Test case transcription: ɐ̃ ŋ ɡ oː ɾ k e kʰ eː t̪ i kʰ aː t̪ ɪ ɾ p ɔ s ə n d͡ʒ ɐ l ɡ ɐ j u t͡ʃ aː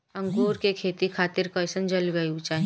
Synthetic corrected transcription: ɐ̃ ŋ ɡ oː ɾ k e kʰ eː t̪ i kʰ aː t̪ ɪ ɾ k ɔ s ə n d͡ʒ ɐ l ɡ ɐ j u t͡ʃ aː